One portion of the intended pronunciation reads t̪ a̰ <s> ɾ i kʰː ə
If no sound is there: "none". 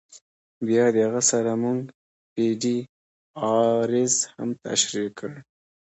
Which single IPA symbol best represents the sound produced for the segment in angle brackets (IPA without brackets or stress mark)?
ʃ